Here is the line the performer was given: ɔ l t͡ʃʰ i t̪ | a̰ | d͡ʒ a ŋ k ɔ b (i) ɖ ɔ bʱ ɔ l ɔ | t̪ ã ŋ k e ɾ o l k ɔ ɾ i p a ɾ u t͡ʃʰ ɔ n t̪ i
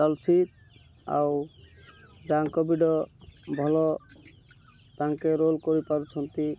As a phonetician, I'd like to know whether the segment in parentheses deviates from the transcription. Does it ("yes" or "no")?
no